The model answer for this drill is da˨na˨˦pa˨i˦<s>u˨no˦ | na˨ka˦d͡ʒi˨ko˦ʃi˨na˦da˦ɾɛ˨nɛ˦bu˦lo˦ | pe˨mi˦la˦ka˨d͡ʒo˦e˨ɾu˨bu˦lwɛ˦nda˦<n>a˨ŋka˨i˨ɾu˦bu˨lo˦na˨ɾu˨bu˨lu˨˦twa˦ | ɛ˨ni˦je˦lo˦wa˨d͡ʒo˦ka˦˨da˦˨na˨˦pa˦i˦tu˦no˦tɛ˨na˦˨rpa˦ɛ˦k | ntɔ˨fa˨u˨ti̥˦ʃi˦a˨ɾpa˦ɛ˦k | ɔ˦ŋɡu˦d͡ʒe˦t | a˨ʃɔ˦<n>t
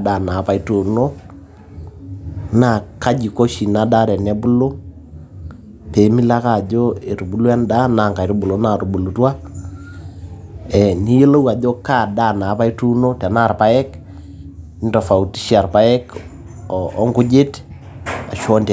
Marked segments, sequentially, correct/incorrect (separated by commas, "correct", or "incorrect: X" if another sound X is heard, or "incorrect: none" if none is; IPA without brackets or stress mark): incorrect: t, correct, correct